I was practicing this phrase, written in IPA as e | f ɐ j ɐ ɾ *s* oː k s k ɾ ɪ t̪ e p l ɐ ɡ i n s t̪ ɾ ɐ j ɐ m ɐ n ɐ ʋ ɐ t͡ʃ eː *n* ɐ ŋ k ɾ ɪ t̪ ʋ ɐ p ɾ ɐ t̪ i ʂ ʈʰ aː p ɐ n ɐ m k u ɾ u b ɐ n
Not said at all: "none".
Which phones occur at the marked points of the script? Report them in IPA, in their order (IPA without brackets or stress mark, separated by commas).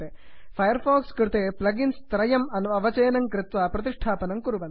f, n